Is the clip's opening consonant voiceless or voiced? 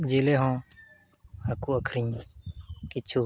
voiced